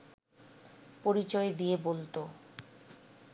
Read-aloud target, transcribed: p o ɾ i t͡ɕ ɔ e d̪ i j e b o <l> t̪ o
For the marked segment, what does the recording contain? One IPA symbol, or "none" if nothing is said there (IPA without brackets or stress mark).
l